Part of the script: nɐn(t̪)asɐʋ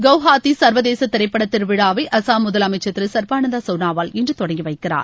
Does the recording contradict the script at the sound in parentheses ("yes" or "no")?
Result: yes